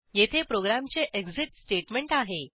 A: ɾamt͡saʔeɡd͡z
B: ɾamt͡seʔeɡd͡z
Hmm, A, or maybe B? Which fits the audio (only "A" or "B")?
B